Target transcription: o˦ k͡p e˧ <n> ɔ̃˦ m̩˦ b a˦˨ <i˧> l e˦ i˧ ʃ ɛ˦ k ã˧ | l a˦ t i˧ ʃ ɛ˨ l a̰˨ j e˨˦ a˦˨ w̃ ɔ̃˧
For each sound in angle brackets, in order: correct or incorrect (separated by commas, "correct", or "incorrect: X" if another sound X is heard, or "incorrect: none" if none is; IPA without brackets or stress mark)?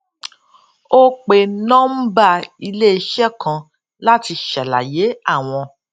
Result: correct, correct